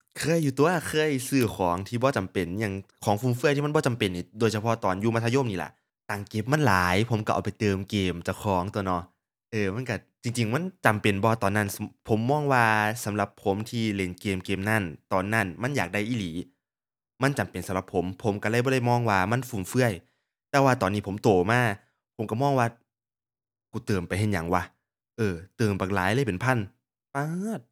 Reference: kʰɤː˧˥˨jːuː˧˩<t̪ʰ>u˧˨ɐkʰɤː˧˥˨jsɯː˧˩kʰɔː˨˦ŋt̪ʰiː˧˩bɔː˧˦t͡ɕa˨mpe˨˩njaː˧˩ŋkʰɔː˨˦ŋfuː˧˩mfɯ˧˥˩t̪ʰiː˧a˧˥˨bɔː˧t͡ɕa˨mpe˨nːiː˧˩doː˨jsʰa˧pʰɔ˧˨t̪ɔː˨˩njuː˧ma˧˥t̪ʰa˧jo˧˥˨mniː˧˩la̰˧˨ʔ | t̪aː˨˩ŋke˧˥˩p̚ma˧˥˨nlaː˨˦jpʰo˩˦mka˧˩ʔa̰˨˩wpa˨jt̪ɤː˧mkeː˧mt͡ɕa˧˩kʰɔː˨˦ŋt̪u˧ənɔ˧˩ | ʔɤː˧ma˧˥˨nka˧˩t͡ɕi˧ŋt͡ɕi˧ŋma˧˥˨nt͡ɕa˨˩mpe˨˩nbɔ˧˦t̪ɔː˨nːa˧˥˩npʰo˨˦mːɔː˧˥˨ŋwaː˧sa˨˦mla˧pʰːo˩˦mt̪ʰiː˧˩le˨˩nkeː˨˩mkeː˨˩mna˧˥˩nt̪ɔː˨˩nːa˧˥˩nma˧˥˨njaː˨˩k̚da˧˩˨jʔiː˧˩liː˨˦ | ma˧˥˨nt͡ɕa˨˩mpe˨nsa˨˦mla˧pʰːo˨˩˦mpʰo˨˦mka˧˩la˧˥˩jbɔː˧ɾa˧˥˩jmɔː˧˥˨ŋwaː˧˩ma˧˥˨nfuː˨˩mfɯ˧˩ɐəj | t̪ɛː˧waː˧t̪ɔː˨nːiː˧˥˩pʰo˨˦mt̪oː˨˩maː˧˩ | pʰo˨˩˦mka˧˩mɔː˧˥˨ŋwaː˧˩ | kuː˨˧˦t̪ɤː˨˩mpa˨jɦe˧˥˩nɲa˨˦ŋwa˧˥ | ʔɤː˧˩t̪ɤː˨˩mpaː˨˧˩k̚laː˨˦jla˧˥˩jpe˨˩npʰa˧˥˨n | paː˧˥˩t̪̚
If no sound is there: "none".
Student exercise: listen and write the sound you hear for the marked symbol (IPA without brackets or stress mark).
t̪